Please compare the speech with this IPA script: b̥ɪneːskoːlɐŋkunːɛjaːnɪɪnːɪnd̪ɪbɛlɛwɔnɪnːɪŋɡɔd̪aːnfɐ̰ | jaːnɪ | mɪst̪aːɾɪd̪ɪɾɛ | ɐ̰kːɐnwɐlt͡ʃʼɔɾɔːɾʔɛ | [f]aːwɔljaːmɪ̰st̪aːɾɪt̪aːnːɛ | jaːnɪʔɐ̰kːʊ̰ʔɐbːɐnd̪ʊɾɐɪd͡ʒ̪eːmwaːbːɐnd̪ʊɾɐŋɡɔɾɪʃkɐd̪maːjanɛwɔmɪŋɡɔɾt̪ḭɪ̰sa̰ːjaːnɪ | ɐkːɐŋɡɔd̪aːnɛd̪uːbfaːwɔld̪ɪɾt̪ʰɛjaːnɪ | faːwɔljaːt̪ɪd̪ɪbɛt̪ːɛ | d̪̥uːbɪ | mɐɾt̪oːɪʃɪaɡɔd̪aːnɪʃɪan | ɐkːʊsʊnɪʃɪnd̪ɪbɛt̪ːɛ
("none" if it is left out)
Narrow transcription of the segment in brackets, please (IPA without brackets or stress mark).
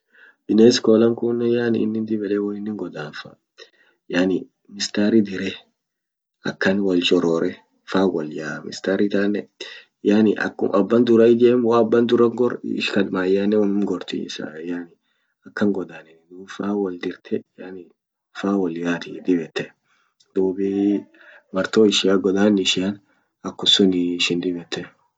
f